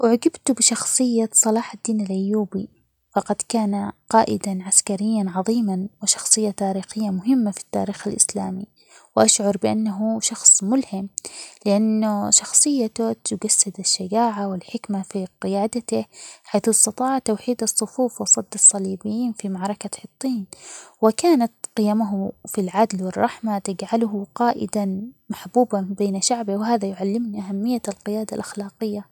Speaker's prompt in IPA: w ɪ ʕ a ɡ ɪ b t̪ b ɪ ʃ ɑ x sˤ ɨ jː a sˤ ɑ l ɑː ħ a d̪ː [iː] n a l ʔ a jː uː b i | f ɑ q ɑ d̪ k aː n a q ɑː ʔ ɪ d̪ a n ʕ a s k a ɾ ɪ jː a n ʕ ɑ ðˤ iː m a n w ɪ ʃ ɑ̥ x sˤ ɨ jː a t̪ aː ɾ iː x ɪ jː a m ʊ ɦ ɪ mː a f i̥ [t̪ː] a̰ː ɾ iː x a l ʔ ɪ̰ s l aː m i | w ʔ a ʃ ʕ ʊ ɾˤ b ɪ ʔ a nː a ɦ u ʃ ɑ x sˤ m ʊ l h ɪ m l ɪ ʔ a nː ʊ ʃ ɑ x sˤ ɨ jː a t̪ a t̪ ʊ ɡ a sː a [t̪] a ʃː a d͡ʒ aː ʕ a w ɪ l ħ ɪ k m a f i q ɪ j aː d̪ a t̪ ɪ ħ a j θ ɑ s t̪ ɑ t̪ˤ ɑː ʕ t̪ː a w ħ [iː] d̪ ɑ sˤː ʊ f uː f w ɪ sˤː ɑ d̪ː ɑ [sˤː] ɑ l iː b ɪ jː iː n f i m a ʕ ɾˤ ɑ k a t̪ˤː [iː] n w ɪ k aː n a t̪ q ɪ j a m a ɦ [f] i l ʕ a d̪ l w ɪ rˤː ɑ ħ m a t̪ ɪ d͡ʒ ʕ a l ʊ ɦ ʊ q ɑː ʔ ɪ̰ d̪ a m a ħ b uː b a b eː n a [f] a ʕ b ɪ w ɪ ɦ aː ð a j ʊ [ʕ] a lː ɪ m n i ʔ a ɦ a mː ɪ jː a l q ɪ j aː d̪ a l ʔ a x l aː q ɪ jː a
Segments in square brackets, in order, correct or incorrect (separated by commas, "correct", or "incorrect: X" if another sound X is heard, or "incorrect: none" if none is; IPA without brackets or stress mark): correct, correct, incorrect: d̪, correct, correct, correct, correct, incorrect: ʃ, correct